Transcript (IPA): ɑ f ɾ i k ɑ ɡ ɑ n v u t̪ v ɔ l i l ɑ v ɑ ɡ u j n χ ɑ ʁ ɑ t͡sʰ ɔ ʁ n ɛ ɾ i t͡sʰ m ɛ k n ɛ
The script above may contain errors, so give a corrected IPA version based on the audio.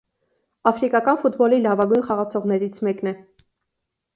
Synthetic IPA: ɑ f ɾ i k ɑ k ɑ n f u t̪ b ɔ l i l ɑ v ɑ ɡ u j n χ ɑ ʁ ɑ t͡sʰ ɔ ʁ n ɛ ɾ i t͡sʰ m ɛ k n ɛ